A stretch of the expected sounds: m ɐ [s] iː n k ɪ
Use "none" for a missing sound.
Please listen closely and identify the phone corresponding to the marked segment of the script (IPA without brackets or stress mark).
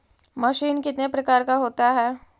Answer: ʃ